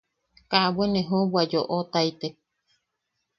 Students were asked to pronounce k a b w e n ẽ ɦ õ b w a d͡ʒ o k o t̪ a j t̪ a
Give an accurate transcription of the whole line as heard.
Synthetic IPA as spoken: k a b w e n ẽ ɦ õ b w a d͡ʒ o ʔ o t̪ a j t̪ e